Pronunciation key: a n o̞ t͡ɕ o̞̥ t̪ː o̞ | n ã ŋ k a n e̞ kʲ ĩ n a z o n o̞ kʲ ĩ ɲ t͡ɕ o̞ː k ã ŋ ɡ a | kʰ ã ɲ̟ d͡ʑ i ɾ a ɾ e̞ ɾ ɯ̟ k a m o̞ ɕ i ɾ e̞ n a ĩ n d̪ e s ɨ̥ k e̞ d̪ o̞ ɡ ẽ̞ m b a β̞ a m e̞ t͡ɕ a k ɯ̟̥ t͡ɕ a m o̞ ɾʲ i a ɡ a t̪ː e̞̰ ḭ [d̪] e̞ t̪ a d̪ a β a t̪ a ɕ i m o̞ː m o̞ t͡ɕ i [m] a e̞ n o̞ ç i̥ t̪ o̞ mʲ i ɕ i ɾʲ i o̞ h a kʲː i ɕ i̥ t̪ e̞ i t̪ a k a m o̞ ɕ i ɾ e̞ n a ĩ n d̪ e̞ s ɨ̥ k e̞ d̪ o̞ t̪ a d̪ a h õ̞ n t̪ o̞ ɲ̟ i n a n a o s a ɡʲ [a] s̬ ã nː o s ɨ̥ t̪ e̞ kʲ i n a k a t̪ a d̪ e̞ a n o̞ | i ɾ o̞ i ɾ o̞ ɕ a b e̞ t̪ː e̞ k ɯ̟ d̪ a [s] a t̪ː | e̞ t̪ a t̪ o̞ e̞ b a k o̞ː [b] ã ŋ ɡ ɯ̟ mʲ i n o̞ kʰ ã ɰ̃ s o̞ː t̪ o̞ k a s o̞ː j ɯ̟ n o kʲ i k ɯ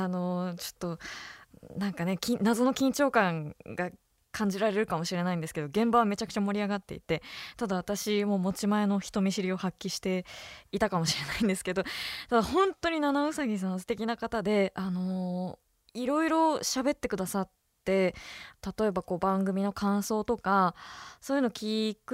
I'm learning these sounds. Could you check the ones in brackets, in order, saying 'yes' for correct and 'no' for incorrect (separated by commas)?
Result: no, yes, no, yes, yes